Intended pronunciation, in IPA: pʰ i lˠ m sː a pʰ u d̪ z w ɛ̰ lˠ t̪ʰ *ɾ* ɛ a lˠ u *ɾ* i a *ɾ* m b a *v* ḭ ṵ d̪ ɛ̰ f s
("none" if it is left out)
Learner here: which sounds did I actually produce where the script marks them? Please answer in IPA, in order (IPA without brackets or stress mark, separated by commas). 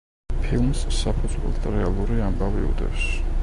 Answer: ɾ, ɾ, none, v